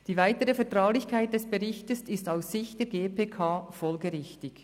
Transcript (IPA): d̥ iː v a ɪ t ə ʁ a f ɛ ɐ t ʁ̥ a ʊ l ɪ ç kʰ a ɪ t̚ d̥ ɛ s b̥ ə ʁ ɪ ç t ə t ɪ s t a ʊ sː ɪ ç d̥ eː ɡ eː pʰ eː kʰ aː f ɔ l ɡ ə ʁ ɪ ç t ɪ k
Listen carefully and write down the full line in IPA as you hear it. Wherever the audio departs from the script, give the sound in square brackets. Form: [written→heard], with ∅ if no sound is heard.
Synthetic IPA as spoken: d̥ iː v a ɪ t ə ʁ [a→ə] f ɛ ɐ t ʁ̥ a ʊ l ɪ ç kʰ a ɪ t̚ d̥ ɛ s b̥ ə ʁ ɪ ç t ə [t→s] ɪ s t a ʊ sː ɪ ç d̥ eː ɡ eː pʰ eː kʰ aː f ɔ l ɡ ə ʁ ɪ ç t ɪ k